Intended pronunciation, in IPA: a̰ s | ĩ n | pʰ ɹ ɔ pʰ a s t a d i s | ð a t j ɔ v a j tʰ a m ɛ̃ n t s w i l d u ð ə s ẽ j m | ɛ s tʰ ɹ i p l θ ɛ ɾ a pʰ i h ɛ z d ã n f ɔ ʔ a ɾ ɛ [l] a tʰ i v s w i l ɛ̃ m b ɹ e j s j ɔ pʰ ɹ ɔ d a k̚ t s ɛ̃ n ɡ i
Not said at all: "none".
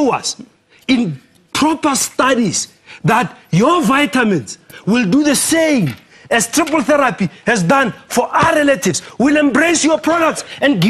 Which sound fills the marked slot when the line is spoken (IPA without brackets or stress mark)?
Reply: l